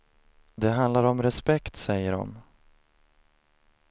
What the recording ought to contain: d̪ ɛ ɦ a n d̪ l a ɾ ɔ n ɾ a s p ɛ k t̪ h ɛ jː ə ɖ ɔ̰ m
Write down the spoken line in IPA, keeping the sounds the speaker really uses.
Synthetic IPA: d̪ ɛ ɦ a n d̪ l a ɾ ɔ m ɾ ɛ s p ɛ k t̪ s ɛ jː ə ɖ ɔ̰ m